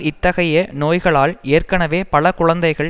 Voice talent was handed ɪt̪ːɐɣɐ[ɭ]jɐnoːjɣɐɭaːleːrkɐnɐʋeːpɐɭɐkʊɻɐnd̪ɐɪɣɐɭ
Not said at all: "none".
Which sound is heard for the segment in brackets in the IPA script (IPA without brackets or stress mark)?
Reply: none